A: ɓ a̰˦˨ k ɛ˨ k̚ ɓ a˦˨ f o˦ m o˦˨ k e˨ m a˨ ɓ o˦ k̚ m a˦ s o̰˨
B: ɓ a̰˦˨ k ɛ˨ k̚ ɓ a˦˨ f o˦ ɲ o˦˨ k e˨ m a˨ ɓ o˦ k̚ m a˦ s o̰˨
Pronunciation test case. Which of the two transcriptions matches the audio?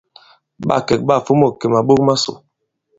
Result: A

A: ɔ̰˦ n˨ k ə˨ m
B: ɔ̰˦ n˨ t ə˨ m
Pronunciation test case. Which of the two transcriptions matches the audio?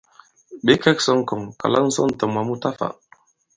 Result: B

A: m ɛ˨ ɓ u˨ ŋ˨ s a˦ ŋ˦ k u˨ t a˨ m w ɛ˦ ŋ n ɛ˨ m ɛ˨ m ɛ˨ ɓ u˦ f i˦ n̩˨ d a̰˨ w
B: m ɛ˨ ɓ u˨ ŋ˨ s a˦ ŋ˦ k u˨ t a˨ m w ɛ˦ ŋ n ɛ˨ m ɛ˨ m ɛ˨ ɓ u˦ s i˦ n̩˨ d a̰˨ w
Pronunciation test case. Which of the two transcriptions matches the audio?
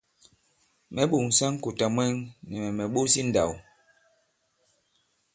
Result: B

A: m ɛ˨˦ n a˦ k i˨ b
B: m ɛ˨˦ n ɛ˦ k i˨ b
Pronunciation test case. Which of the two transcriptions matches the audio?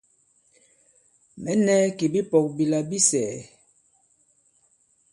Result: B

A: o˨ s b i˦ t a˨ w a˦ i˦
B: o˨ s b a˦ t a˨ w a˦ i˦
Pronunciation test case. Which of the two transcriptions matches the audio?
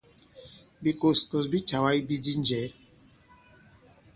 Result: A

